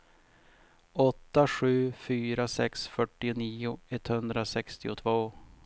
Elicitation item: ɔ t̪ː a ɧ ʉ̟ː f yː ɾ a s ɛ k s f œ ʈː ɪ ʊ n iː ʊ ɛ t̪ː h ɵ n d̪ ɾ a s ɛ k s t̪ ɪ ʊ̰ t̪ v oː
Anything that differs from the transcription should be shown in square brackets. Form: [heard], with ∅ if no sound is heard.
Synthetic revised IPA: ɔ t̪ː a ɧ ʉ̟ː f yː ɾ a s ɛ k s f œ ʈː ɪ ʊ n iː ʊ ɛ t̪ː h ɵ n d̪ ɾ a s ɛ k s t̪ ɪ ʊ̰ [t̪ʰ] v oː